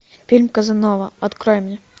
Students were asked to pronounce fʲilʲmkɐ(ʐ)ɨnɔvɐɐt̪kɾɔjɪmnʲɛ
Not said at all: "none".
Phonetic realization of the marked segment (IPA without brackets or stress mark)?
z